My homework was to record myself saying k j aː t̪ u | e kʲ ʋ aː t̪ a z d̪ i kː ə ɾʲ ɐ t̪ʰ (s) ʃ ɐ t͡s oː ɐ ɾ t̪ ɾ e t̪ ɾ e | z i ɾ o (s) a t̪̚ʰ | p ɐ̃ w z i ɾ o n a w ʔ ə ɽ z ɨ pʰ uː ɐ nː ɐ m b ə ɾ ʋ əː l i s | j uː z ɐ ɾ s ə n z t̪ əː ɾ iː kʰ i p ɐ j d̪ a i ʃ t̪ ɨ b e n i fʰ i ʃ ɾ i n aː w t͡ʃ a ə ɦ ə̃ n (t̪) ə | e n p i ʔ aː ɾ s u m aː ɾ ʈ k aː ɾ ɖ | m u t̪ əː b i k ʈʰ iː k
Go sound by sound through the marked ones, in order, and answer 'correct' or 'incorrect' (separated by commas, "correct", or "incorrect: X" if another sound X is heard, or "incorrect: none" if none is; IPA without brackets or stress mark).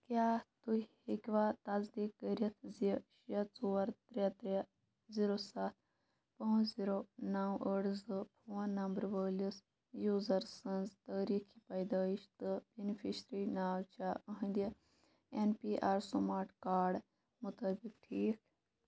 incorrect: z, correct, incorrect: d̪